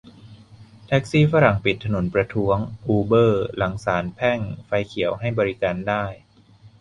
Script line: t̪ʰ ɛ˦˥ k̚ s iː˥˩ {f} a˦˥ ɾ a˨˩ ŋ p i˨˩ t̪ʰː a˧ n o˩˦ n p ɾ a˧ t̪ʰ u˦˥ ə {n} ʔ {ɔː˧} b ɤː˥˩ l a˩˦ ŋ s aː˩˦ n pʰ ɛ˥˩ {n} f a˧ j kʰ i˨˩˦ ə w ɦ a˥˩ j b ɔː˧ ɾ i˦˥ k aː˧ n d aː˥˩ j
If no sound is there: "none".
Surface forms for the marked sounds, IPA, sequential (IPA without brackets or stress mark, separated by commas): f, ŋ, uː˧, ŋ